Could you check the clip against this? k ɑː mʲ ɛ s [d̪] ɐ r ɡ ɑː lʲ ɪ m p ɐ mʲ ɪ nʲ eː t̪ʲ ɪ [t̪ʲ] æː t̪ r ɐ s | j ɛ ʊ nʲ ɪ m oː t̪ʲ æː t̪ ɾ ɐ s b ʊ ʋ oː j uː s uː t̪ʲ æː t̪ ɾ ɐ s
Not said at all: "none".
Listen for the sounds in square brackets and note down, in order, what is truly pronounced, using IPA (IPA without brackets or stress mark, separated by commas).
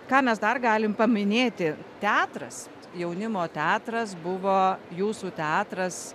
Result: d̪, t̪ʲ